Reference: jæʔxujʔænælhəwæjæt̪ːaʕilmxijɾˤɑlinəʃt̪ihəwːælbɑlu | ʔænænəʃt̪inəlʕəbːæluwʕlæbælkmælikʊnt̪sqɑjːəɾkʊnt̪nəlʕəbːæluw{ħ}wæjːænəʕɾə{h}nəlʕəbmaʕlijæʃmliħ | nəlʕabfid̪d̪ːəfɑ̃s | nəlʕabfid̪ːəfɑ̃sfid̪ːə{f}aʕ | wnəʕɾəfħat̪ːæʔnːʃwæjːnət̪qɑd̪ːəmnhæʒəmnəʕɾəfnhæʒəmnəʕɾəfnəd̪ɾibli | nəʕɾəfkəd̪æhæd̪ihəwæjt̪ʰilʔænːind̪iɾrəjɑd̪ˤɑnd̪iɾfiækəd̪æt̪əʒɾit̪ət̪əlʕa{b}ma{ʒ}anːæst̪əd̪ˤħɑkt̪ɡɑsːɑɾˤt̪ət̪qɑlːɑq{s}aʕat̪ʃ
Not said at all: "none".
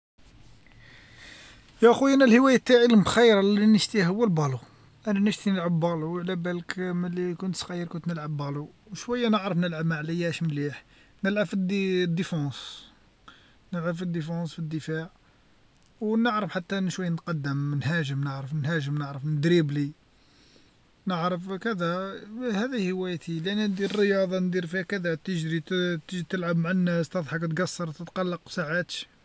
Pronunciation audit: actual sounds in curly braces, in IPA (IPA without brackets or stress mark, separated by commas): ʃ, f, f, b, ʕ, s